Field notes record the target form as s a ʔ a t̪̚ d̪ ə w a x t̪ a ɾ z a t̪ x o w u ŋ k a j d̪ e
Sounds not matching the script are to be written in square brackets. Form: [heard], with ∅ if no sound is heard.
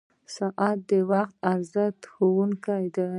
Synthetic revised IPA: s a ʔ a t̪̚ d̪ ə w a x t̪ a ɾ z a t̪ x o w u ŋ k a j d̪ [a]